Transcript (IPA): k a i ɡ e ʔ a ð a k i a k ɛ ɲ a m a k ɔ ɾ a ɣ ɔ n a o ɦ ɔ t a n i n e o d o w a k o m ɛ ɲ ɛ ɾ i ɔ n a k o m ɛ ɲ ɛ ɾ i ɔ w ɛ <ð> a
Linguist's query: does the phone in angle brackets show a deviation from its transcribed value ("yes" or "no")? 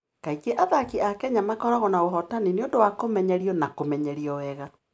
yes